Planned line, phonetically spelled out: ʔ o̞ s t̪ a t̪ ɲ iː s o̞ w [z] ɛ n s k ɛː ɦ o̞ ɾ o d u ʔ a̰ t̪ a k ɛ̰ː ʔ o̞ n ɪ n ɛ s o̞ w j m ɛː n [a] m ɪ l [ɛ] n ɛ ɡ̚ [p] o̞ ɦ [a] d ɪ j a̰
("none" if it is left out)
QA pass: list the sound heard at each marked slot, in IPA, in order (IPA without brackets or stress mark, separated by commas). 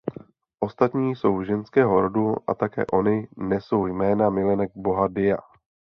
ʒ, a, ɛ, b, a